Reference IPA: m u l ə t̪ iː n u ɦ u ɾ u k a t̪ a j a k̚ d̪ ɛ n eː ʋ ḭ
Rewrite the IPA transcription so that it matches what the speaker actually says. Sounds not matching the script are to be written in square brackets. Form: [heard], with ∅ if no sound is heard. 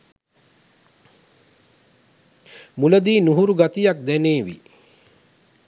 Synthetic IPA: m u l ə [d̪] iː n u ɦ u ɾ u [ɡ] a t̪ [i] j a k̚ d̪ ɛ n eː ʋ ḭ